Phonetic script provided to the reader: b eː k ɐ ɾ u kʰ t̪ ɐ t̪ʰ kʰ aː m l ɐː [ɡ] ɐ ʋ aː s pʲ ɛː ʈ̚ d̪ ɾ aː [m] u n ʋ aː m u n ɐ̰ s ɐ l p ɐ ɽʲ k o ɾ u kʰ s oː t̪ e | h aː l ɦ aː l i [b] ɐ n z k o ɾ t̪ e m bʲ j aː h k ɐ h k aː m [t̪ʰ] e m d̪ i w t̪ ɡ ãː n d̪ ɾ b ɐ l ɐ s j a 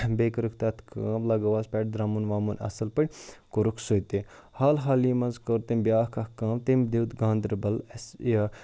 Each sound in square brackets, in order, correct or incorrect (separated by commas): correct, correct, incorrect, incorrect